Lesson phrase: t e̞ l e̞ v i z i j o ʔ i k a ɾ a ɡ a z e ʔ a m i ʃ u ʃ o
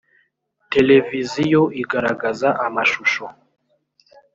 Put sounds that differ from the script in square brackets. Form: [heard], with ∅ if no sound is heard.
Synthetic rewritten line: t e̞ l e̞ v i z i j o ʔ i [ɡ] a ɾ a ɡ a z [a] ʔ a m [a] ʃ u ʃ o